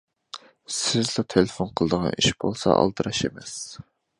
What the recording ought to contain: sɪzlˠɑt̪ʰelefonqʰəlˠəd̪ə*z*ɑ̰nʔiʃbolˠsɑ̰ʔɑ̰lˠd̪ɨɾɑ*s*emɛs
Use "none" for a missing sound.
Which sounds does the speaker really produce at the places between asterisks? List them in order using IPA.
ʁ, ʃ

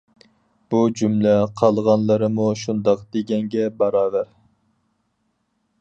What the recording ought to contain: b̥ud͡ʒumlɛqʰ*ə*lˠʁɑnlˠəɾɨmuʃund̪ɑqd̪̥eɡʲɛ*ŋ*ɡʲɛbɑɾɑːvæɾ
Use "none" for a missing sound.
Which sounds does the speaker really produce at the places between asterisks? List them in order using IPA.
ɑ, ŋ

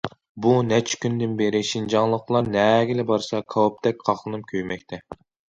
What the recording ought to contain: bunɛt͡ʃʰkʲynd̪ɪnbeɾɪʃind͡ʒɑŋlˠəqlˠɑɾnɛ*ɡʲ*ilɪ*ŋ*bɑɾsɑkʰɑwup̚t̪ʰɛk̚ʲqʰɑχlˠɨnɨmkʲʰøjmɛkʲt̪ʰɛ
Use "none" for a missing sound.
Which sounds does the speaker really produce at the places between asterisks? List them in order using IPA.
ɡʲ, none

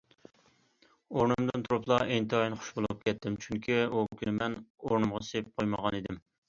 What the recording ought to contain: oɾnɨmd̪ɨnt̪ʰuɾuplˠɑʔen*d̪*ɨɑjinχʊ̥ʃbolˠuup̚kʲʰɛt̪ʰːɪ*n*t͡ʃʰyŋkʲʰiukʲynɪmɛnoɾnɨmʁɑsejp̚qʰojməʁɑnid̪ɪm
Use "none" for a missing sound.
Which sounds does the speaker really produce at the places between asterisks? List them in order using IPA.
t̪, m

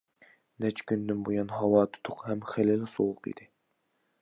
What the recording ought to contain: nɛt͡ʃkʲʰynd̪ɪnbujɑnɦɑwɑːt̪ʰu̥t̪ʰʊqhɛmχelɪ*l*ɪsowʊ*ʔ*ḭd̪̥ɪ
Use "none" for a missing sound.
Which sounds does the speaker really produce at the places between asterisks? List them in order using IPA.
l, q

